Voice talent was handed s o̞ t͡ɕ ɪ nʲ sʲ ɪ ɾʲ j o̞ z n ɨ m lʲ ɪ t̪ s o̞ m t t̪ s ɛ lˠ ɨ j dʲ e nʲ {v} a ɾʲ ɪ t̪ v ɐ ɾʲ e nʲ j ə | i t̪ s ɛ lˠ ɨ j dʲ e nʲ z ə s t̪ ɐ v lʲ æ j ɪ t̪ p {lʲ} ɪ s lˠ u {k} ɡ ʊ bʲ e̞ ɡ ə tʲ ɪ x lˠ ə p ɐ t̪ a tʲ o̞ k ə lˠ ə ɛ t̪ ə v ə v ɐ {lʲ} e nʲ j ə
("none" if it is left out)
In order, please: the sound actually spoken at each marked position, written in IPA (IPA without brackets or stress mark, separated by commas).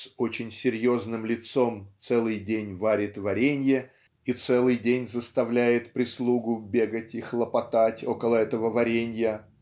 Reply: v, ɾʲ, none, ɾʲ